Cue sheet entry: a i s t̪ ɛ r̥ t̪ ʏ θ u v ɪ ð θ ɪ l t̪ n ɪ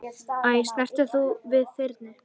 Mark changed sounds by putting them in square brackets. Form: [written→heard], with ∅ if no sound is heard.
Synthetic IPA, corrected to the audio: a [i→j] s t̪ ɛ r̥ t̪ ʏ θ u v ɪ ð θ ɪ [l→ɾ] t̪ n ɪ